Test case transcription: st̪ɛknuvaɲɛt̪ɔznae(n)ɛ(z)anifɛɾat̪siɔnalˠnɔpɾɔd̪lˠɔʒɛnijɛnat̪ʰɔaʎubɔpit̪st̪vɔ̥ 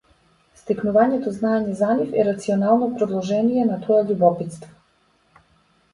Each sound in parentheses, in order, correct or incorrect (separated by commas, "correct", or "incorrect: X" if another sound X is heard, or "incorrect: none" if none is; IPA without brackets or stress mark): incorrect: ɲ, correct